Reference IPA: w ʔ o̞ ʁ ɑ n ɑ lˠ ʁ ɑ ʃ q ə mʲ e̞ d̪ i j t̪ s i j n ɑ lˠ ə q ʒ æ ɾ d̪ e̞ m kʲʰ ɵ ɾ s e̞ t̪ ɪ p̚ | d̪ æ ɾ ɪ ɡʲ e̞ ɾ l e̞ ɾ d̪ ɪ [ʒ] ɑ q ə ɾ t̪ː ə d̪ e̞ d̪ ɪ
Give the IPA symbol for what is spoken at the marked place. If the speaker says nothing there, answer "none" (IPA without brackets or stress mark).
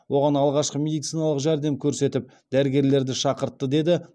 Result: ʃ